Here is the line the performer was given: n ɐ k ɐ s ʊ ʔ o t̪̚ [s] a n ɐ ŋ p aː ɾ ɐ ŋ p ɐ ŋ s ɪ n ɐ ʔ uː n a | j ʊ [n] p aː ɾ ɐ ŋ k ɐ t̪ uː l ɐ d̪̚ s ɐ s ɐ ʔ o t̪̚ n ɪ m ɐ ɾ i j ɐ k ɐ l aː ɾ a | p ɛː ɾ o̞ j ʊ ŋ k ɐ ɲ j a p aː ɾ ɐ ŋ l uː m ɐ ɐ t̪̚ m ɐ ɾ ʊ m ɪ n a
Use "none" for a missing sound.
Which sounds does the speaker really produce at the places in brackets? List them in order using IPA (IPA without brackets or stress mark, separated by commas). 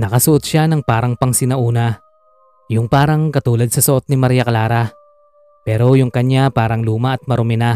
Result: ʃ, ŋ